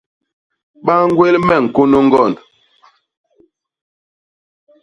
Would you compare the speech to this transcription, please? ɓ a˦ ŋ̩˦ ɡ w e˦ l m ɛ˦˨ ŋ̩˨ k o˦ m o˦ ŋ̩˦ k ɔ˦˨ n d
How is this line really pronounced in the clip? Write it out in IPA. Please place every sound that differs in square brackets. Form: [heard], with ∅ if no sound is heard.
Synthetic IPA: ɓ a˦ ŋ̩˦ ɡ w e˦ l m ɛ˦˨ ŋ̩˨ k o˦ [n] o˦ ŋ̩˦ [ɡ] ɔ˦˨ n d